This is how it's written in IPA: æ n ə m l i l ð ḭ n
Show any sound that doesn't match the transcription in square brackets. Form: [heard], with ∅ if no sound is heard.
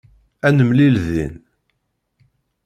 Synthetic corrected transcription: æ n ə m l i l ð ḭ n